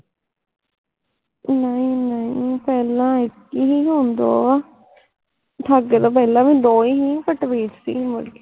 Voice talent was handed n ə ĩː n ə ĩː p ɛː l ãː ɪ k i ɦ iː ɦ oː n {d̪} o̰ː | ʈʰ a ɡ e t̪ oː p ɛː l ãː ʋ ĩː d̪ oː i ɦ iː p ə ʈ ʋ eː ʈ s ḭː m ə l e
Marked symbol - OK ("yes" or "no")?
yes